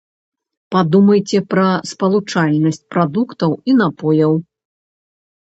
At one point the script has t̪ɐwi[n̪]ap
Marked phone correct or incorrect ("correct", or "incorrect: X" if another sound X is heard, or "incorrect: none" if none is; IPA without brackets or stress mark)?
correct